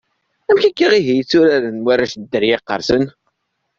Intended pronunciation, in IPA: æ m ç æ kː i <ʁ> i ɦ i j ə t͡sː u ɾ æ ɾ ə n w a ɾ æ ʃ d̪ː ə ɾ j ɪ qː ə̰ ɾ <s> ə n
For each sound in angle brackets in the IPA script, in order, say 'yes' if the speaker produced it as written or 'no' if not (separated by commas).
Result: yes, yes